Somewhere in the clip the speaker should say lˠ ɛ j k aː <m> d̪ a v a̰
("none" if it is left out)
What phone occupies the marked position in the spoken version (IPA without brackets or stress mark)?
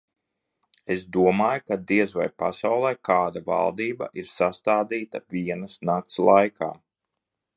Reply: none